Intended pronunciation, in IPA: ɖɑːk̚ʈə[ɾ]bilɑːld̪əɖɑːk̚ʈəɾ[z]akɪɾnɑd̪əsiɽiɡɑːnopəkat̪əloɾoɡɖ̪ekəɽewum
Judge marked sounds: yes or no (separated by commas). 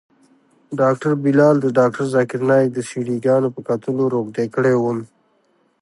yes, yes